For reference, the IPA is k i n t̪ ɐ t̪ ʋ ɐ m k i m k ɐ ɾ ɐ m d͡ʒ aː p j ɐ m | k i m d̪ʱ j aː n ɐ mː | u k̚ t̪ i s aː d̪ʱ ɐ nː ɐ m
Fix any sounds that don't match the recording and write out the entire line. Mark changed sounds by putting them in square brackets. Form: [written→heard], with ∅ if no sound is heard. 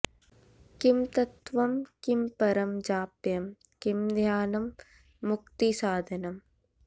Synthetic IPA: k i [n→m] t̪ ɐ t̪ ʋ ɐ m k i m [k→p] ɐ ɾ ɐ m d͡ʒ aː p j ɐ m | k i m d̪ʱ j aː n ɐ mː | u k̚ t̪ i s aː d̪ʱ ɐ [nː→n] ɐ m